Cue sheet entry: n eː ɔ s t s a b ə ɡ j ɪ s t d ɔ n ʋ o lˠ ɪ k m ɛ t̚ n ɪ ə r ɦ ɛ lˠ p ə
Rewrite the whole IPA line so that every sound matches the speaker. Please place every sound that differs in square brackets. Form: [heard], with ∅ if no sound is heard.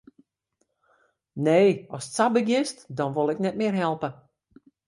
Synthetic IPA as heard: n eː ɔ s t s a b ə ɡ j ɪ s t d ɔ n ʋ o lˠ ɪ k [n] ɛ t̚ [m] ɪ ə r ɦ ɛ lˠ p ə